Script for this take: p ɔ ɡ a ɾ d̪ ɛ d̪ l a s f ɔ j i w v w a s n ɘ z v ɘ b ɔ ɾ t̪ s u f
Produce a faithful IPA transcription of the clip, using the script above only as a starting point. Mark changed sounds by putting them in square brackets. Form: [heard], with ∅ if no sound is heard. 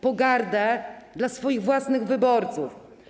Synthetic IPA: p ɔ ɡ a ɾ d̪ ɛ d̪ l a s f ɔ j i [ɣ] v w a s n ɘ [ɣ] v ɘ b ɔ ɾ t̪ s u f